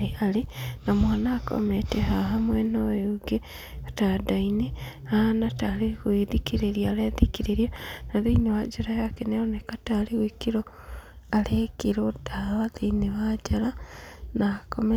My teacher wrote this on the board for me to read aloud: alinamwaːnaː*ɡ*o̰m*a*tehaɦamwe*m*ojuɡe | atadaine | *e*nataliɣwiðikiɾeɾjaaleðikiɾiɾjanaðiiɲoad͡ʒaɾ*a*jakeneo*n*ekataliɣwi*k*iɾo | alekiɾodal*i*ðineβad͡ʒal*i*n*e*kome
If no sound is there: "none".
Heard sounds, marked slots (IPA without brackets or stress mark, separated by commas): k, e, n, a, a, n, k, a, a, a